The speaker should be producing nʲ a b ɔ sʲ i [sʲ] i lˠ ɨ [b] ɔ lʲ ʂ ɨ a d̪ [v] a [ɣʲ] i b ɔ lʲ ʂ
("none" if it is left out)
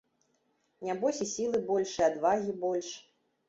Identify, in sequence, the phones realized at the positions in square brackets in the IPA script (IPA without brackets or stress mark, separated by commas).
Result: sʲ, b, v, ɣʲ